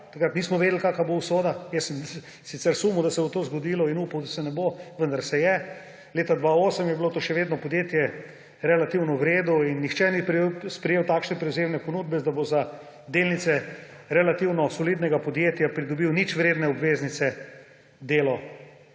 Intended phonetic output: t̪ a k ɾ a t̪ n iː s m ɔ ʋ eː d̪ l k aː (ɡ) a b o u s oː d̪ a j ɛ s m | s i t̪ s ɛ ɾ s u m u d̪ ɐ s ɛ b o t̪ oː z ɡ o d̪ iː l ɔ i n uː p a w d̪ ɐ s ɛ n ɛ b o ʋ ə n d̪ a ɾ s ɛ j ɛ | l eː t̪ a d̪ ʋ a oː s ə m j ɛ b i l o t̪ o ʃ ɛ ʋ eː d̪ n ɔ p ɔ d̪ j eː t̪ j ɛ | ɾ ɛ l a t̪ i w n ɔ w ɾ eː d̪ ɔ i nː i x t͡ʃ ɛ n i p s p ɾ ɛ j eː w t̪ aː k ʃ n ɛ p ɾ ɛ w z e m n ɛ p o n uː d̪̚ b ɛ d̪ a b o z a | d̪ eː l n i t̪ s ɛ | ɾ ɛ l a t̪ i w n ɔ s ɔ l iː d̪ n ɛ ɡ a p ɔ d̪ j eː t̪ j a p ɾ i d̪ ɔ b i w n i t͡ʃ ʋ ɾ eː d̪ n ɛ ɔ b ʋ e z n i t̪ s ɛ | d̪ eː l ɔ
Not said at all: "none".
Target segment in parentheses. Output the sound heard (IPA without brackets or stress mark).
k